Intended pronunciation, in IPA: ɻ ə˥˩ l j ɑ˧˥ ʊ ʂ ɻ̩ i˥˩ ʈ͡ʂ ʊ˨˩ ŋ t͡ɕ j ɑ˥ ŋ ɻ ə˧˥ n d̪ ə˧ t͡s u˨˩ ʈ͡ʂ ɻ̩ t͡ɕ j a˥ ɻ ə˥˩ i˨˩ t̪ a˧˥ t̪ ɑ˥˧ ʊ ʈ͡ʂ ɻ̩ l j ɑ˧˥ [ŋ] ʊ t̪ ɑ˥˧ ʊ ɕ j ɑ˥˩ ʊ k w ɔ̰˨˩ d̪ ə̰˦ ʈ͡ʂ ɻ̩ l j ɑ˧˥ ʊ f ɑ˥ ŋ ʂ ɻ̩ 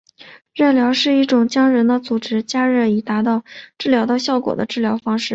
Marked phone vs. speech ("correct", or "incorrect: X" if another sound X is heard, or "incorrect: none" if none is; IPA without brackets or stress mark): incorrect: none